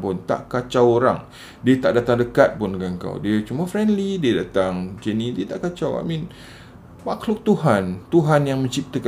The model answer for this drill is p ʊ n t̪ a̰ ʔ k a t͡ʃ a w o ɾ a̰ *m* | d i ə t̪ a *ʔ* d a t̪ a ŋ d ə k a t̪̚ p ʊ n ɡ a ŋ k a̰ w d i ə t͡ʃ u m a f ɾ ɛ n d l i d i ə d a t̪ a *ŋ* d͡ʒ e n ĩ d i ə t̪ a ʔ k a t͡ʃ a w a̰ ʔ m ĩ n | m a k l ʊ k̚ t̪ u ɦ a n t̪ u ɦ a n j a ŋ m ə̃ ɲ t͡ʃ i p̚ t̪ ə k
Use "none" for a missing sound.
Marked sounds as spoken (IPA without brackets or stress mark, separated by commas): ŋ, ʔ, ŋ